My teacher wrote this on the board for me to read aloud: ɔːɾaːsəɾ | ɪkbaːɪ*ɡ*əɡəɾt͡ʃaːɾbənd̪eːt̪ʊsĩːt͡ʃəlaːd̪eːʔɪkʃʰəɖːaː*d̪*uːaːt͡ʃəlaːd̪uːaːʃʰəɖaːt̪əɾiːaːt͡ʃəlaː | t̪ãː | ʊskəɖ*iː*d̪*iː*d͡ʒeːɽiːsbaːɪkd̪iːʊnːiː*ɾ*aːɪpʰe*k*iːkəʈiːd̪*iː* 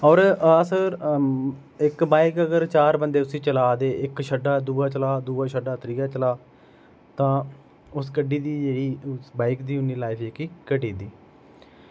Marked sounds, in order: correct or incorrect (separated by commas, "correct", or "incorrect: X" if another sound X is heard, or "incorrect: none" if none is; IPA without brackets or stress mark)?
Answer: incorrect: k, correct, correct, correct, incorrect: l, correct, correct